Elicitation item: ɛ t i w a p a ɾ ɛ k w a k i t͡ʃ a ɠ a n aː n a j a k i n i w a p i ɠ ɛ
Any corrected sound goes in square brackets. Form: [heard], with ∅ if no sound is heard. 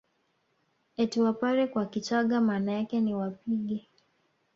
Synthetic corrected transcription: ɛ t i w a p a ɾ ɛ k w a k i t͡ʃ a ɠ a [m] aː n a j a k [ɛ] n i w a p i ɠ ɛ